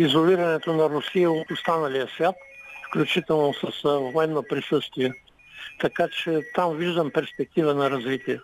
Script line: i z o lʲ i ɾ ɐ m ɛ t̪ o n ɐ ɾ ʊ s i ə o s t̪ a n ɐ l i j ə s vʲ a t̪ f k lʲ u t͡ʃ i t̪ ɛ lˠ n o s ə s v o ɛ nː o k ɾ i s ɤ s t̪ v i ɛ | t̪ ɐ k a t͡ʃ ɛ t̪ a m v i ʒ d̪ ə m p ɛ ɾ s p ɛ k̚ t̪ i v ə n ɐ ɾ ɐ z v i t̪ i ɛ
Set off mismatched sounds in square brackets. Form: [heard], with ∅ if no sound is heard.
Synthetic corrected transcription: i z o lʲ i ɾ ɐ [n] ɛ t̪ o n ɐ ɾ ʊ s i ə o s t̪ a n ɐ l i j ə s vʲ a t̪ f k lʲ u t͡ʃ i t̪ ɛ lˠ n o s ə s v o ɛ nː o [p] ɾ i s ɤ s t̪ v i ɛ | t̪ ɐ k a t͡ʃ ɛ t̪ a m v i ʒ d̪ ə m p ɛ ɾ s p ɛ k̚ t̪ i v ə n ɐ ɾ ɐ z v i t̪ i ɛ